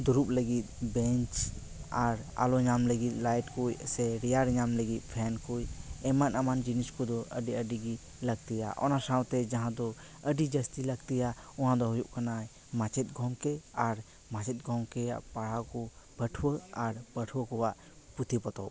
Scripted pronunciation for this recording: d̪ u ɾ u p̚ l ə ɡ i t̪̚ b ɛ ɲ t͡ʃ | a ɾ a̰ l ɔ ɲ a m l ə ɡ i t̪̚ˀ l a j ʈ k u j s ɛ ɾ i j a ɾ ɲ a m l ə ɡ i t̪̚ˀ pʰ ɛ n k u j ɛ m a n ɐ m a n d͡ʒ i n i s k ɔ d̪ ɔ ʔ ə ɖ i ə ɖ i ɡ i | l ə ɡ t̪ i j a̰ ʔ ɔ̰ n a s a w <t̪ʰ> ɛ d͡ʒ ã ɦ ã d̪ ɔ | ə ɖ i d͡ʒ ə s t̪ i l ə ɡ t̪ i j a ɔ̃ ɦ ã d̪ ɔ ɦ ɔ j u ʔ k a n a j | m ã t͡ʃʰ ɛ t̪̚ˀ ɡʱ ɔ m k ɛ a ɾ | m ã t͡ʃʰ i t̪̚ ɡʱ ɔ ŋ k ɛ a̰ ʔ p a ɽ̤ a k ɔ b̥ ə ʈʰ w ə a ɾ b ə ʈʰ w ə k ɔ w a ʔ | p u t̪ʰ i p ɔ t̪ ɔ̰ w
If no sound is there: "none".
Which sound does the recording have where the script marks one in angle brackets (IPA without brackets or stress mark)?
t̪